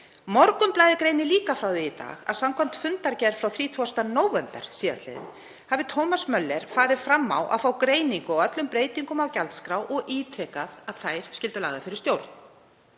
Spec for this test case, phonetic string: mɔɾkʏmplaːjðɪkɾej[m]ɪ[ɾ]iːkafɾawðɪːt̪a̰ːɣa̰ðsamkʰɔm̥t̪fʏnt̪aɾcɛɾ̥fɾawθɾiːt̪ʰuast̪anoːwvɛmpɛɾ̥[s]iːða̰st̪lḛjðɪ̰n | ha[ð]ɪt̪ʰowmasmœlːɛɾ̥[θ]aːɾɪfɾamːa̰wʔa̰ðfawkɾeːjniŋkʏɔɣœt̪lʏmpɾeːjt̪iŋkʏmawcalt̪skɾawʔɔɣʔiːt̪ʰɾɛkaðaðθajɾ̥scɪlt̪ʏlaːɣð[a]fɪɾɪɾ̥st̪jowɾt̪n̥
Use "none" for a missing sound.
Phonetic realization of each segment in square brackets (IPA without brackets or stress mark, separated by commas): n, l, s, v, f, a